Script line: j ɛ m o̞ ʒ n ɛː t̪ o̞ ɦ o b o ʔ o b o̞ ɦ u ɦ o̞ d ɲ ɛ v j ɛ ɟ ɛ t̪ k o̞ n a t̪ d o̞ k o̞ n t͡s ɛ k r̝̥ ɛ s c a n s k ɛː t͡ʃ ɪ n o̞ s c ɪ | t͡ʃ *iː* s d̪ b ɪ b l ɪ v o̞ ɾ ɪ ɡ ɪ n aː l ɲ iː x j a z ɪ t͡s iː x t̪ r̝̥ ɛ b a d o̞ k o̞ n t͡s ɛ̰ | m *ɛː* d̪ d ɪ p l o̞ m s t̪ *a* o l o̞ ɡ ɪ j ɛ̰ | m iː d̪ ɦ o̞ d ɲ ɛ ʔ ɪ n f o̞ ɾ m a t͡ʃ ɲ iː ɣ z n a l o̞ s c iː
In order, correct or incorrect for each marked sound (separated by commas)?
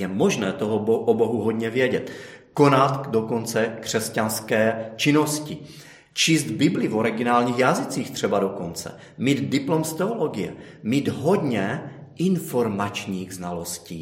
correct, incorrect, incorrect